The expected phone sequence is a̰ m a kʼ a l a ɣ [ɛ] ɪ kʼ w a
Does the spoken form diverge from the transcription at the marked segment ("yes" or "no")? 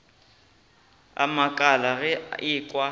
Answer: no